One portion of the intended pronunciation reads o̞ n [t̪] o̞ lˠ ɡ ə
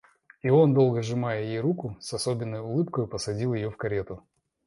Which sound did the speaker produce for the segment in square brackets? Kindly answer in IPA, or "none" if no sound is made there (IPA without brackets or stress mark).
d̪